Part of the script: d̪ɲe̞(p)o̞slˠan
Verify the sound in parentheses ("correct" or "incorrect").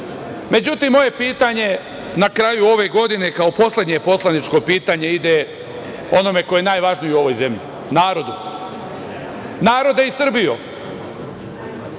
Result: correct